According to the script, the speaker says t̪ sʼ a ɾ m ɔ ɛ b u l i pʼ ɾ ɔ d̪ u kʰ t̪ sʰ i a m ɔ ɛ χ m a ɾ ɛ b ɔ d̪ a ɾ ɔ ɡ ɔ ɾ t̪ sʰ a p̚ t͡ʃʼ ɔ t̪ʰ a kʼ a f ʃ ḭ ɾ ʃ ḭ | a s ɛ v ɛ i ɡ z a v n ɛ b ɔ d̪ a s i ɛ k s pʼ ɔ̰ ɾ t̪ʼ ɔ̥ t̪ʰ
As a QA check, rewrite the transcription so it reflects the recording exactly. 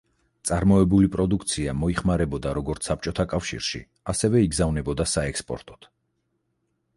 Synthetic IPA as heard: t̪ sʼ a ɾ m ɔ ɛ b u l i pʼ ɾ ɔ d̪ u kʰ t̪ sʰ i a m ɔ i χ m a ɾ ɛ b ɔ d̪ a ɾ ɔ ɡ ɔ ɾ t̪ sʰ a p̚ t͡ʃʼ ɔ t̪ʰ a kʼ a f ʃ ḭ ɾ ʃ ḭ | a s ɛ v ɛ i ɡ z a v n ɛ b ɔ d̪ a s a ɛ k s pʼ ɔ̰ ɾ t̪ʼ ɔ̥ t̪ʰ